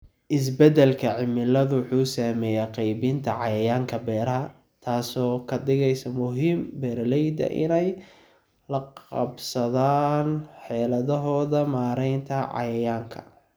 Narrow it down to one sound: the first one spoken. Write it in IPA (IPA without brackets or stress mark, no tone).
ʔ